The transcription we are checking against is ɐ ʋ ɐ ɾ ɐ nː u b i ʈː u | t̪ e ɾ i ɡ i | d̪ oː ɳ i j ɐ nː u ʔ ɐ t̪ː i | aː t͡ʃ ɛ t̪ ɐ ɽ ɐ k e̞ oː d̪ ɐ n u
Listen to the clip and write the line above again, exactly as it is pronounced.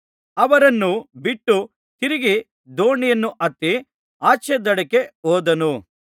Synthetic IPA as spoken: ɐ ʋ ɐ ɾ ɐ nː u b i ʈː u | t̪ i ɾ i ɡ i | d̪ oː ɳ i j ɐ nː u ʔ ɐ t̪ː i | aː t͡ʃ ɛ d̪ ɐ ɽ ɐ k e̞ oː d̪ ɐ n u